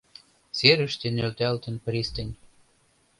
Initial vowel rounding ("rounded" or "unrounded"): unrounded